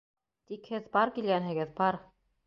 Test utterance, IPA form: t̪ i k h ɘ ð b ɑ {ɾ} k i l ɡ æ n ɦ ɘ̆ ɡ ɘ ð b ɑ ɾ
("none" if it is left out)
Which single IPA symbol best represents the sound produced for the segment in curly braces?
ɾ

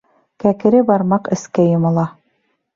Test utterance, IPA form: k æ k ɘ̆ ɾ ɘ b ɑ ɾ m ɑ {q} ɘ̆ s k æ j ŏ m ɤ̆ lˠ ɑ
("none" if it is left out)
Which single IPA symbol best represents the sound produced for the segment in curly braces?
q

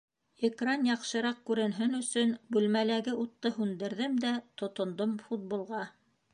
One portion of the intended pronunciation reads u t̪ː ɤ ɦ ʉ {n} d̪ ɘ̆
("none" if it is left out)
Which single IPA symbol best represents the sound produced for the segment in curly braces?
n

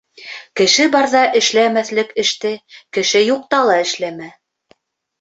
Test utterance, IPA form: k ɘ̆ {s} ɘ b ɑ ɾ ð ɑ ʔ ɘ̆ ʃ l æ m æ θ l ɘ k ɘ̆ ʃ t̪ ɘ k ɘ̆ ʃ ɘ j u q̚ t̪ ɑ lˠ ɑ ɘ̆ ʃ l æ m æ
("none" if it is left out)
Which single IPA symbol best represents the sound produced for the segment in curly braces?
ʃ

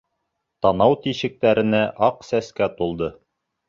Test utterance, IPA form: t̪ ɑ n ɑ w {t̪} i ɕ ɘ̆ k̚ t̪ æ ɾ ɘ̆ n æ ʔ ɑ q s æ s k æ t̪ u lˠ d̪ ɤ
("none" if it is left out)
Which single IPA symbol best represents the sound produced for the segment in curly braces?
t̪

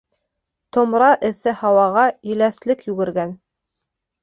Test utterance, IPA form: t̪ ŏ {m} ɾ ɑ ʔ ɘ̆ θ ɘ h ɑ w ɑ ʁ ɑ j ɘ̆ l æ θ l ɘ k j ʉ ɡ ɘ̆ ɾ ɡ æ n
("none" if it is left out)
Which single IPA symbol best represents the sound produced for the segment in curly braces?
m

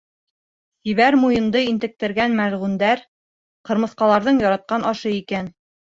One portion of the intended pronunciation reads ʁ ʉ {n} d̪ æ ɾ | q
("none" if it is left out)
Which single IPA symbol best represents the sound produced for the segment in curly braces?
n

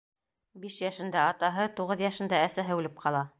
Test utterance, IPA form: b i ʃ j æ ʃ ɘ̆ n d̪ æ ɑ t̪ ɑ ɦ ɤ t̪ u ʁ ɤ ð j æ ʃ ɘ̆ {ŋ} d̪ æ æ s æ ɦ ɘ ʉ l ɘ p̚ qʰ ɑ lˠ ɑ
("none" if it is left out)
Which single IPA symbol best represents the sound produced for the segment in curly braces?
n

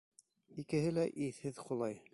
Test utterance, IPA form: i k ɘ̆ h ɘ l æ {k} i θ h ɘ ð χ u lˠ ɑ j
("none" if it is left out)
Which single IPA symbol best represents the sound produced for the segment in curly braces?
ʔ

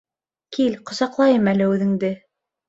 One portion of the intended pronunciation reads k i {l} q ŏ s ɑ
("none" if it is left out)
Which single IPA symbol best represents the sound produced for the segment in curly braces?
l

